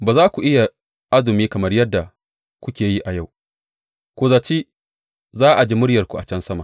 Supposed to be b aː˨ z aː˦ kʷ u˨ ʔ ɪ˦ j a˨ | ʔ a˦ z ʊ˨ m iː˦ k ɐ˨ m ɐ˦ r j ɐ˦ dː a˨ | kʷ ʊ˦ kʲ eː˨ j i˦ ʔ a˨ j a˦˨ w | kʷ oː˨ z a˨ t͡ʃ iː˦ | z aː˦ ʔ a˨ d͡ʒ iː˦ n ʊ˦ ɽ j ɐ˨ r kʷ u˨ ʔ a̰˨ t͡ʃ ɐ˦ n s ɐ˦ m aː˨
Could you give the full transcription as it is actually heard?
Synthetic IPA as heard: b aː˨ z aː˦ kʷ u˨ ʔ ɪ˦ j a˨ | ʔ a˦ z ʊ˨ m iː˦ k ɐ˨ m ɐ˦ r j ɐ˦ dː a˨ | kʷ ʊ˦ kʲ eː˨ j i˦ ʔ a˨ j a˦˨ w | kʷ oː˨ z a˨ t͡ʃ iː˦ | z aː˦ ʔ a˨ d͡ʒ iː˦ m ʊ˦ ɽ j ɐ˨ r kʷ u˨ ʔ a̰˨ t͡ʃ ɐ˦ n s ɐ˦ m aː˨